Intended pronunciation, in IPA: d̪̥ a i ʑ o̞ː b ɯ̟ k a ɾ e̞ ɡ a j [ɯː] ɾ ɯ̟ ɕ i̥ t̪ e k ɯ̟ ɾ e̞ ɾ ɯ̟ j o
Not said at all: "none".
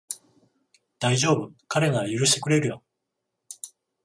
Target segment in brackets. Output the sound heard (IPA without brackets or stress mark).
ɯ